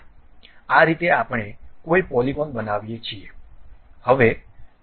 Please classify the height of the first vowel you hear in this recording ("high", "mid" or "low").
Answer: low